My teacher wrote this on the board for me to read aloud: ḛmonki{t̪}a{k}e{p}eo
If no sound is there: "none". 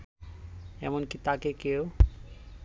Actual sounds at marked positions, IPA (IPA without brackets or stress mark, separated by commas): t̪, k, k